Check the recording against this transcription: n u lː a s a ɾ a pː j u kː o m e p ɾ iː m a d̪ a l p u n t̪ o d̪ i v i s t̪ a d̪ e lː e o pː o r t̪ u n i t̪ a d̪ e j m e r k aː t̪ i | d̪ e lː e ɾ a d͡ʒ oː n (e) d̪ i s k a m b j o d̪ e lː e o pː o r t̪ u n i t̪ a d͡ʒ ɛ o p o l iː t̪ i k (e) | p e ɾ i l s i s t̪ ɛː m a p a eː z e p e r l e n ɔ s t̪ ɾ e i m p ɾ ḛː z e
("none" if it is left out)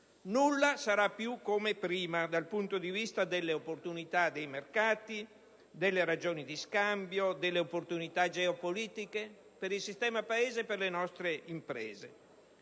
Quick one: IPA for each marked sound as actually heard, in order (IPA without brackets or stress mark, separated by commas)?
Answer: i, e